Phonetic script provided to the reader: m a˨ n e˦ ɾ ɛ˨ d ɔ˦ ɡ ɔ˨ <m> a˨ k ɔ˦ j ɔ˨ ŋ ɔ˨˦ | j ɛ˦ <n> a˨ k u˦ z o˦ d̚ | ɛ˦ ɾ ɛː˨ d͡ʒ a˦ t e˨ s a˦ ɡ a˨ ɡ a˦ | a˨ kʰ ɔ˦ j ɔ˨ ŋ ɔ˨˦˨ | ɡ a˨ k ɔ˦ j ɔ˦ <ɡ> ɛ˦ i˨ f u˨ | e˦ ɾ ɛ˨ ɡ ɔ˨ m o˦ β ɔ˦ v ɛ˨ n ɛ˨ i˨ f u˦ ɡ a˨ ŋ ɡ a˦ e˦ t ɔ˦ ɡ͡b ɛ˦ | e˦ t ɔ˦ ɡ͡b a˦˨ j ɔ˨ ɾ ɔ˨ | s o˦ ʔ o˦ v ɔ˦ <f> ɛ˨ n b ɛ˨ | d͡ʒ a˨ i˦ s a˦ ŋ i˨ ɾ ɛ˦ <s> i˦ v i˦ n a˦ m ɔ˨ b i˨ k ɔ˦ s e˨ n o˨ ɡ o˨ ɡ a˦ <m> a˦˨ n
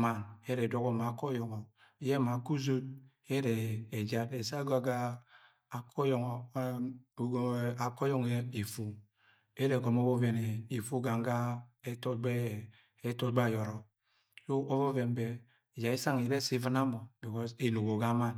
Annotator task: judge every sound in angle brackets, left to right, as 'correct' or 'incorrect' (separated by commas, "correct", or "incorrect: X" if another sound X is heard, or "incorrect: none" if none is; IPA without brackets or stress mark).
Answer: correct, incorrect: m, incorrect: ŋ, incorrect: v, correct, correct